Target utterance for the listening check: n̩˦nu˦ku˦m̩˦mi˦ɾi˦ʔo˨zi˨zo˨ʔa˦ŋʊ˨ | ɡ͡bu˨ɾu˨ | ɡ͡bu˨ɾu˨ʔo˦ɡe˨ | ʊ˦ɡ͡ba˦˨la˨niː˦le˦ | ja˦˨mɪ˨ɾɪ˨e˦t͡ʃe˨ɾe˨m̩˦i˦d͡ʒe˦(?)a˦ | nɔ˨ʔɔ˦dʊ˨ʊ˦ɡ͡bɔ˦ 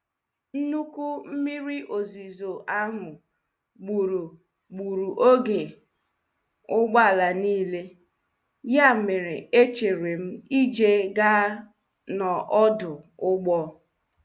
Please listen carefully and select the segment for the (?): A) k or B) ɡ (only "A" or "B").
B